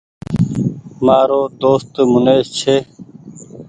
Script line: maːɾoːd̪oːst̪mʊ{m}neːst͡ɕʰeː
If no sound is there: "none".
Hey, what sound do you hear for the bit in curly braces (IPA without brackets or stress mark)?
none